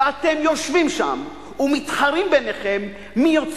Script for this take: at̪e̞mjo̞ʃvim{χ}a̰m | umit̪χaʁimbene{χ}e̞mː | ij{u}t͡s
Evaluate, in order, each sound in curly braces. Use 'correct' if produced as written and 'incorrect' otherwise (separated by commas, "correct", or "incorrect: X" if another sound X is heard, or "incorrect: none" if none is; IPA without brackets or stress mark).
incorrect: ʃ, correct, incorrect: o